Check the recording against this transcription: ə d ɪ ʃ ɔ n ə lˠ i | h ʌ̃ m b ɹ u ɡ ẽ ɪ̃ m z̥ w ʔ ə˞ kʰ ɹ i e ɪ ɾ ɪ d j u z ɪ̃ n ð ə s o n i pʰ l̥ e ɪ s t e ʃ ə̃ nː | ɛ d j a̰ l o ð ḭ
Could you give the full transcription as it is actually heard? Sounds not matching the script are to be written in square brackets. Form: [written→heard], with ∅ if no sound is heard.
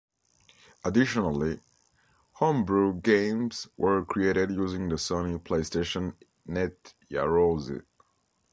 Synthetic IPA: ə d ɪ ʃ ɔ n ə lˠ i | h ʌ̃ m b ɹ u ɡ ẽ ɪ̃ m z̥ w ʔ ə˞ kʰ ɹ i e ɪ ɾ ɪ d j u z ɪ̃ [n→ŋ] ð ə s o n i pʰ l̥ e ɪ s t e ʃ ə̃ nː | ɛ [d→t] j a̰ [l→ɹ] o [ð→z] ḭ